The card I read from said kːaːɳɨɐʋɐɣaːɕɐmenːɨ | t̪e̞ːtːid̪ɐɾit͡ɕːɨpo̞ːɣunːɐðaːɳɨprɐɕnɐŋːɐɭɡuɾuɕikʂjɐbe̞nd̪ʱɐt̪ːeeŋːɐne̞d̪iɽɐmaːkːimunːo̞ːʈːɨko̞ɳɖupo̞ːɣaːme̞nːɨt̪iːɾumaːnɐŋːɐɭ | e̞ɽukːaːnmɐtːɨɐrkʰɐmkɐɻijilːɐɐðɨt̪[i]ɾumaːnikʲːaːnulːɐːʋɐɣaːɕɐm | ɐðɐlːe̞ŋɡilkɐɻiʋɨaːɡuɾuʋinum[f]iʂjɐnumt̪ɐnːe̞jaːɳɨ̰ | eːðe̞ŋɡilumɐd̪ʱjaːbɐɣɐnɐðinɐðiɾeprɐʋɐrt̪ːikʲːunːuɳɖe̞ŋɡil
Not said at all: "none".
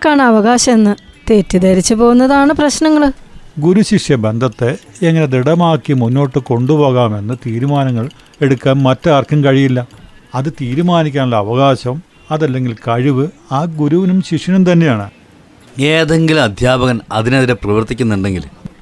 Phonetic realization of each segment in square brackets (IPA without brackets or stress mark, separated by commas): iː, ɕ